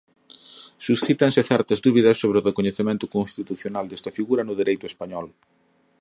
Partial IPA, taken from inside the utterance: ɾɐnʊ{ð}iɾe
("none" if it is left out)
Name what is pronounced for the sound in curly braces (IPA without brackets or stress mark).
ð